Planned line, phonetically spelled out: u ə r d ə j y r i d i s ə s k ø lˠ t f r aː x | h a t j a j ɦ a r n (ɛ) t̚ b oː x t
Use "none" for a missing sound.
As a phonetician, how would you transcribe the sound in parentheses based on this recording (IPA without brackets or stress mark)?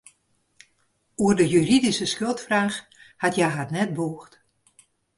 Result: ɛ